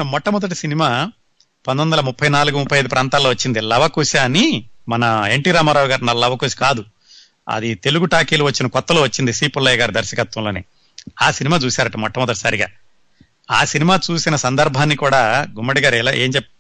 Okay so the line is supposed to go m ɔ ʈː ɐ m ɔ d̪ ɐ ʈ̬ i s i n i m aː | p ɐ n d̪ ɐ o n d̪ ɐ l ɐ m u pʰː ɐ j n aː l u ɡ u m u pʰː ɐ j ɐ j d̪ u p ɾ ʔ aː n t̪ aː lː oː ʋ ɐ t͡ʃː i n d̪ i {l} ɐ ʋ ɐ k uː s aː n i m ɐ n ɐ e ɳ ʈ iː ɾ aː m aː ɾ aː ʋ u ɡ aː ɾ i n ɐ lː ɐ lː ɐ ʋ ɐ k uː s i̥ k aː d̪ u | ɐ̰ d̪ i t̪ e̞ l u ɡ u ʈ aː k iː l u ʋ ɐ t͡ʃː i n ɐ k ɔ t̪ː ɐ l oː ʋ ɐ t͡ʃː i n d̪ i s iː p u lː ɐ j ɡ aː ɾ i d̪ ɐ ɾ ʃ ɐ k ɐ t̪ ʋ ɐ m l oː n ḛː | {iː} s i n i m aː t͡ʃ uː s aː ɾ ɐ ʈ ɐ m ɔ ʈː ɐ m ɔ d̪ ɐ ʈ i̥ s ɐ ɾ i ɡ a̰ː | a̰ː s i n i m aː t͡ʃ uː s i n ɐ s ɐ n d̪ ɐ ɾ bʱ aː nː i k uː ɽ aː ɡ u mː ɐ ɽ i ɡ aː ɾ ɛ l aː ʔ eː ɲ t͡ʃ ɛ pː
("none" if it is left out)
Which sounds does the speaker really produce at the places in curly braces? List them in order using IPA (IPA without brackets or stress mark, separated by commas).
l, aː